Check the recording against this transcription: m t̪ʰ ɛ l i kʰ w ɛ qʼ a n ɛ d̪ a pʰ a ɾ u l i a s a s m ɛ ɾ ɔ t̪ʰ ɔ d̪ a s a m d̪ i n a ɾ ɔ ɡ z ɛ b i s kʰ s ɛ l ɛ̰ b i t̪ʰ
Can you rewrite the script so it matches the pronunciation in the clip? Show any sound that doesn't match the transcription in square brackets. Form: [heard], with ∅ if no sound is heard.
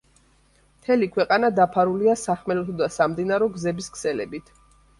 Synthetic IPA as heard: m t̪ʰ ɛ l i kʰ w ɛ qʼ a n [a] d̪ a pʰ a ɾ u l i a s a [χ] m ɛ [l] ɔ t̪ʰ ɔ d̪ a s a m d̪ i n a ɾ ɔ ɡ z ɛ b i s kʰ s ɛ l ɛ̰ b i t̪ʰ

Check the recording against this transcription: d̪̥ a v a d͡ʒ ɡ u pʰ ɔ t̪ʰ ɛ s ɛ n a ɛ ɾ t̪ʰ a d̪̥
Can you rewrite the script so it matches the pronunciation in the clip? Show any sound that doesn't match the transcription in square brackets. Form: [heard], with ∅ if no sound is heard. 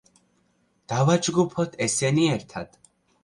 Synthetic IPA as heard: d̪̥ a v a d͡ʒ ɡ u pʰ ɔ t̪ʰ ɛ s ɛ n [i] ɛ ɾ t̪ʰ a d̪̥

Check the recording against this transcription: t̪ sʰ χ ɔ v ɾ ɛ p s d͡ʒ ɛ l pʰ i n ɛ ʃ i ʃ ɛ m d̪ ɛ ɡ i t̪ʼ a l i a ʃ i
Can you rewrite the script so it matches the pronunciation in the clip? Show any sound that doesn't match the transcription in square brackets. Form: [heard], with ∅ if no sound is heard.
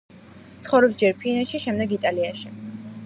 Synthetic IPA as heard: t̪ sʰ χ ɔ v ɾ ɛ p s d͡ʒ ɛ [ɾ] pʰ i n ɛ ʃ i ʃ ɛ m d̪ ɛ ɡ i t̪ʼ a l i a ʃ i

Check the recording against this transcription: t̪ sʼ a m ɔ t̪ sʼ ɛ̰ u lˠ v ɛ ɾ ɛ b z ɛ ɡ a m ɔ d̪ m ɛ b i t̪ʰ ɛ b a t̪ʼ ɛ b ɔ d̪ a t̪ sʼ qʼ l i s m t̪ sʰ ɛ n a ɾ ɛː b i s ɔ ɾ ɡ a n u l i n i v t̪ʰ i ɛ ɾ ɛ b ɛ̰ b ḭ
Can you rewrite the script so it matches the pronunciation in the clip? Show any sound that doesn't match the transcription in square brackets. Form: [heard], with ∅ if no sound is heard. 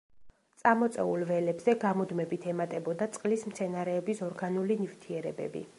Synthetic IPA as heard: t̪ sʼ a m ɔ t̪ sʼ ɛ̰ u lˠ v ɛ [l] ɛ b z ɛ ɡ a m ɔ d̪ m ɛ b i t̪ʰ ɛ [m] a t̪ʼ ɛ b ɔ d̪ a t̪ sʼ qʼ l i s m t̪ sʰ ɛ n a ɾ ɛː b i s ɔ ɾ ɡ a n u l i n i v t̪ʰ i ɛ ɾ ɛ b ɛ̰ b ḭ

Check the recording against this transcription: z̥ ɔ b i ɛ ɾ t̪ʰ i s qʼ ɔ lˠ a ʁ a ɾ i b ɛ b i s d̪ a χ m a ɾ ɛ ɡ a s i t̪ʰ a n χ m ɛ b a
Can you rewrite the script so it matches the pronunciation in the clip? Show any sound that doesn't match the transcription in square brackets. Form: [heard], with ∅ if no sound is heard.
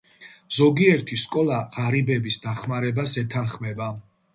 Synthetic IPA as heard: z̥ ɔ [ɡ] i ɛ ɾ t̪ʰ i s [kʼ] ɔ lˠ a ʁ a ɾ i b ɛ b i s d̪ a χ m a ɾ ɛ [b] a s [ɛ] t̪ʰ a n χ m ɛ b a

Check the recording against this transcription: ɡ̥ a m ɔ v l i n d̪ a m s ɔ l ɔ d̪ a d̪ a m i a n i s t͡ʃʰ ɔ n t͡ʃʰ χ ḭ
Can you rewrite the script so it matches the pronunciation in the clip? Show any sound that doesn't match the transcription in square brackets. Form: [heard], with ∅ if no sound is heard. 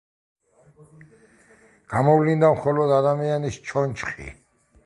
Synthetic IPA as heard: ɡ̥ a m ɔ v l i n d̪ a m [χ] ɔ l ɔ d̪ a d̪ a m i a n i s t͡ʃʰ ɔ n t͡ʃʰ χ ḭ

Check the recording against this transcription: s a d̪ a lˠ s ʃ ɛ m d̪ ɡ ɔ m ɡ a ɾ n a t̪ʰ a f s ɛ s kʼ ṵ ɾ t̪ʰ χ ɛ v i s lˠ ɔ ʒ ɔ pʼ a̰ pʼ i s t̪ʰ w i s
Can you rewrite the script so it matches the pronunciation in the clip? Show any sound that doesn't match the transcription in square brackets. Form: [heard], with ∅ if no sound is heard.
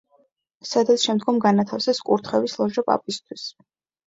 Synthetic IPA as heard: s a d̪ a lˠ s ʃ ɛ m d̪ ɡ ɔ m ɡ a [∅] n a t̪ʰ a f s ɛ s kʼ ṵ ɾ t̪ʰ χ ɛ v i s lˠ ɔ ʒ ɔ pʼ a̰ pʼ i s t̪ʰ w i s

